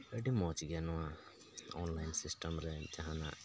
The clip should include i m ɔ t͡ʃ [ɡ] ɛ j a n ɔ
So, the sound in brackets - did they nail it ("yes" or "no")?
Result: yes